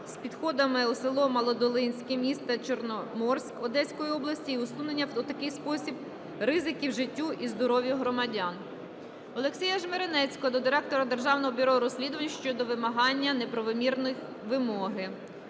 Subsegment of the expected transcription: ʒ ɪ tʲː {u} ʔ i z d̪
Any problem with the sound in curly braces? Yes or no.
no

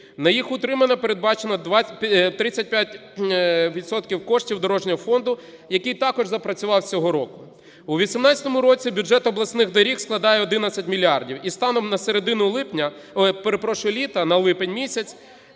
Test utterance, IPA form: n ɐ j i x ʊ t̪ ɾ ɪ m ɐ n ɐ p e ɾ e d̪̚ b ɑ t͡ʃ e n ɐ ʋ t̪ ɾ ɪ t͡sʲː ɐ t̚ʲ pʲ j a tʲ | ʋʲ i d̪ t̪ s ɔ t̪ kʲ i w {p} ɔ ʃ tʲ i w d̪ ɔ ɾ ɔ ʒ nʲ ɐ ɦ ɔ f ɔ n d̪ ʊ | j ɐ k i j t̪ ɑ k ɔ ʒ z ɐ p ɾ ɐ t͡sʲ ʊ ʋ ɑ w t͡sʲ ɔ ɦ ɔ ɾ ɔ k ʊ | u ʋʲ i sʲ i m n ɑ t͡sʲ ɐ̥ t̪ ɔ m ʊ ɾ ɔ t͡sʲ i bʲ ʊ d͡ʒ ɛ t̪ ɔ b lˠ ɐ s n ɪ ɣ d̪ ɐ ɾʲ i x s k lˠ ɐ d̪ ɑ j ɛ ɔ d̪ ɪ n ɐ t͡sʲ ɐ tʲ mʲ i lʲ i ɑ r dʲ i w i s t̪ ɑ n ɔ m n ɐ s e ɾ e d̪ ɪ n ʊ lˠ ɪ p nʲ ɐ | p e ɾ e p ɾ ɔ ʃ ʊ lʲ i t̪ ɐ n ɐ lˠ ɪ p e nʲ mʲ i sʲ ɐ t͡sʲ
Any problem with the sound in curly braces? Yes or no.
yes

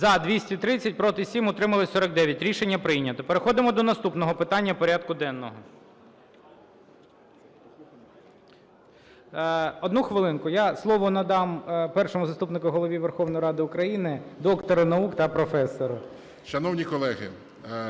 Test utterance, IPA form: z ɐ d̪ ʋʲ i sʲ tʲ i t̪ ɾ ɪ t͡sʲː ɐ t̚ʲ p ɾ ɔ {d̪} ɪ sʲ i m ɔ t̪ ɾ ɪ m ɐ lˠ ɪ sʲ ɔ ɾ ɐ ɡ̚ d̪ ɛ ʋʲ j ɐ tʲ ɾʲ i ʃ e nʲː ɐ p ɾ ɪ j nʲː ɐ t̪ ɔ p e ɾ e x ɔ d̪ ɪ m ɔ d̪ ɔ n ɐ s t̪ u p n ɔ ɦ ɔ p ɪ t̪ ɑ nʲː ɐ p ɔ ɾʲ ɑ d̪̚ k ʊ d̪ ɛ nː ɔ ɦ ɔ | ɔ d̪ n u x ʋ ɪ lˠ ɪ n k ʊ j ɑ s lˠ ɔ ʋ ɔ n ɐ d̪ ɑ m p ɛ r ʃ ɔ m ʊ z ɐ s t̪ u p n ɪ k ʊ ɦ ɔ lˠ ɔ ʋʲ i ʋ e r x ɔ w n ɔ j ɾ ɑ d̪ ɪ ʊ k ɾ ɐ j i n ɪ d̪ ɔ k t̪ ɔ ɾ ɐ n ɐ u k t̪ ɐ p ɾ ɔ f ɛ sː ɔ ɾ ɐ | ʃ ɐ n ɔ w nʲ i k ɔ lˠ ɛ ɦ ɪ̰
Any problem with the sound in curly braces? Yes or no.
yes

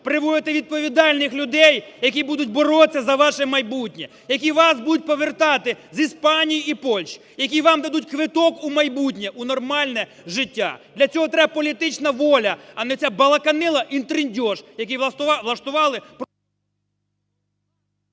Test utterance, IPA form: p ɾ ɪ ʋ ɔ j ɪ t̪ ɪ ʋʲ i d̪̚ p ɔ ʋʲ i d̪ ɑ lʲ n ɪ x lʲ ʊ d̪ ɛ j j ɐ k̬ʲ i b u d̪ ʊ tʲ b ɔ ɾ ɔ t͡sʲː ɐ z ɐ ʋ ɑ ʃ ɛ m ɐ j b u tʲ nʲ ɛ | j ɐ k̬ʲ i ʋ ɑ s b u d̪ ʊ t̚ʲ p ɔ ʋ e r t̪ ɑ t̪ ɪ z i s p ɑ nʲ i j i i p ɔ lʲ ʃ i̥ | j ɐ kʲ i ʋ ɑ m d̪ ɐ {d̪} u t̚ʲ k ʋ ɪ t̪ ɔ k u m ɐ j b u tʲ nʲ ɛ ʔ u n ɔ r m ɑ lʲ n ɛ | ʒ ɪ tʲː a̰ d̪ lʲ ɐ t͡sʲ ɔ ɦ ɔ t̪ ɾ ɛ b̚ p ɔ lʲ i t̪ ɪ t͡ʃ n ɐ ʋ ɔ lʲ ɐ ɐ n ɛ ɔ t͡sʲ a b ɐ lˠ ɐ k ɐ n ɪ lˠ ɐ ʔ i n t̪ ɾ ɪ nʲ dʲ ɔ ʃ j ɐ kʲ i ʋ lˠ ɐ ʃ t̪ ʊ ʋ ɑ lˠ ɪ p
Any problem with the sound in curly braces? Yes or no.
no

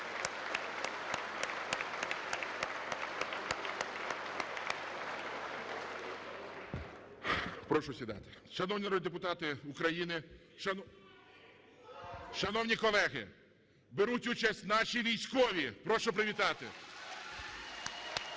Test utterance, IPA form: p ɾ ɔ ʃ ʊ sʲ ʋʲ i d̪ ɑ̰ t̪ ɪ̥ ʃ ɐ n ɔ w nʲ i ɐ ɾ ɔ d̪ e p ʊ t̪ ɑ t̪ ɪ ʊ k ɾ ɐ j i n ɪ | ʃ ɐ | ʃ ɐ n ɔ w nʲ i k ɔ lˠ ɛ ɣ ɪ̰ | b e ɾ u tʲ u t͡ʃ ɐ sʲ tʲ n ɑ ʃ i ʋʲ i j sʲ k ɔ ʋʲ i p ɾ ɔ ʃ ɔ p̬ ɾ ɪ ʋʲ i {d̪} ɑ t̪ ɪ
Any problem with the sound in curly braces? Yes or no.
yes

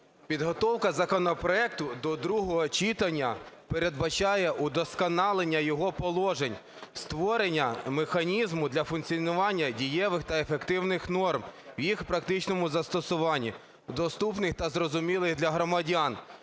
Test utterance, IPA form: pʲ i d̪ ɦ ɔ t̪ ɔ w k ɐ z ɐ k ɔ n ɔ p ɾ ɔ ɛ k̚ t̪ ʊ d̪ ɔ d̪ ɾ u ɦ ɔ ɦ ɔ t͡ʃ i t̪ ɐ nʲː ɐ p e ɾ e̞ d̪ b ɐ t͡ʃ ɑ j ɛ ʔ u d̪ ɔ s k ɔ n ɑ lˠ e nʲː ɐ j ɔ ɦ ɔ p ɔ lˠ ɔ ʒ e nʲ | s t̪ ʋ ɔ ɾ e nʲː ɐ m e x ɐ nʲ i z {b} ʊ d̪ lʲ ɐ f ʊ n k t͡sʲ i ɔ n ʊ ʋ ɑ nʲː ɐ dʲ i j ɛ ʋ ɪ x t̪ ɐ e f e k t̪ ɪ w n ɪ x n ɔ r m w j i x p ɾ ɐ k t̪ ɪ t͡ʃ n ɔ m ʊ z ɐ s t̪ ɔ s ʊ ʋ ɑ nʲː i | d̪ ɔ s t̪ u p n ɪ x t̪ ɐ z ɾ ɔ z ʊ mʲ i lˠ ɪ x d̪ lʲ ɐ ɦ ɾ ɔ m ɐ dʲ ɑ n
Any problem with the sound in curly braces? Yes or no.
yes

